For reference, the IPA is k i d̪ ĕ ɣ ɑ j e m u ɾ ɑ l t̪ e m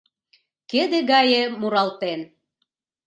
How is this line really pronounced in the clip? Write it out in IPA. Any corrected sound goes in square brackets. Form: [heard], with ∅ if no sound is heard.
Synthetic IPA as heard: k [e] d̪ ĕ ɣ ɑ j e m u ɾ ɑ l t̪ e [n]

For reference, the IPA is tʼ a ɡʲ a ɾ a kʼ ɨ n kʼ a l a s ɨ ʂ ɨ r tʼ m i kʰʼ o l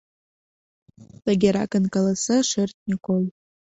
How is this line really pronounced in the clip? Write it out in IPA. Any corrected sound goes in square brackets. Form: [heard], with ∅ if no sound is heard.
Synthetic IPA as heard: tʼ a ɡʲ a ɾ a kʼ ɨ n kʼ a l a s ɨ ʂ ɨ r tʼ [n] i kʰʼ o l

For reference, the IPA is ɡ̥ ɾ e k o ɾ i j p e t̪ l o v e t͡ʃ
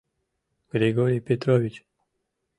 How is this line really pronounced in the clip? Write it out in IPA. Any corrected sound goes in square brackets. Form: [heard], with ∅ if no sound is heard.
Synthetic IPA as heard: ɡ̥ ɾ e [ɡ] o ɾ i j p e t̪ [ɾ] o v [i] t͡ʃ

